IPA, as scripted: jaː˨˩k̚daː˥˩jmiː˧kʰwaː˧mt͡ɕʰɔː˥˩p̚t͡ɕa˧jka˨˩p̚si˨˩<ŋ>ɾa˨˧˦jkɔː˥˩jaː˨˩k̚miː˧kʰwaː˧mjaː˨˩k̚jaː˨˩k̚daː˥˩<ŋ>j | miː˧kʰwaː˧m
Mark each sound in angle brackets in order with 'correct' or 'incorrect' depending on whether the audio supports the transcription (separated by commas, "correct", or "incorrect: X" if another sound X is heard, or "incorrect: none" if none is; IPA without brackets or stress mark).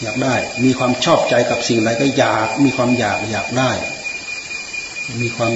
correct, incorrect: none